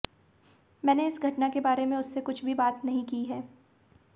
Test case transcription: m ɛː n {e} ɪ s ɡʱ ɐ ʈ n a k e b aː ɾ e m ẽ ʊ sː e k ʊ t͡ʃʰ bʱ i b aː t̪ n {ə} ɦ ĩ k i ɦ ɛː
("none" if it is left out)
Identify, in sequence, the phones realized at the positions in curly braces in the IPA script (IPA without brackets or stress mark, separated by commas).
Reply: e, ɐ